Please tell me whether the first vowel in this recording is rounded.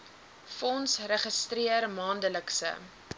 yes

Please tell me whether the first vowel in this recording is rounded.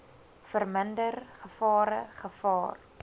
no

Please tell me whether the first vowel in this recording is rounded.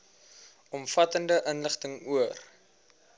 yes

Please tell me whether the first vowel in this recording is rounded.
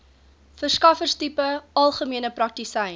no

